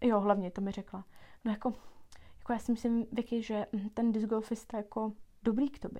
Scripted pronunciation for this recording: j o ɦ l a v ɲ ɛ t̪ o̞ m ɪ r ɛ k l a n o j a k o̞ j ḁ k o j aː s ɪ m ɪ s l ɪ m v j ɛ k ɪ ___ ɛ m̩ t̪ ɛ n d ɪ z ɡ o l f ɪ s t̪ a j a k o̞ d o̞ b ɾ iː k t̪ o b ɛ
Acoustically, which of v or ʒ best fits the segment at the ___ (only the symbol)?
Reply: ʒ